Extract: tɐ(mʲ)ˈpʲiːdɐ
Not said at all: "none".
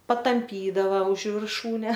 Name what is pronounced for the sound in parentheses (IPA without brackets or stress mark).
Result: mʲ